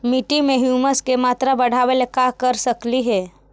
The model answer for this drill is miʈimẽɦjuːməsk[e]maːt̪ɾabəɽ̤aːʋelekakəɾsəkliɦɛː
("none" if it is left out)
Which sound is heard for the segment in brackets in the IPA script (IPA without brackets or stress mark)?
e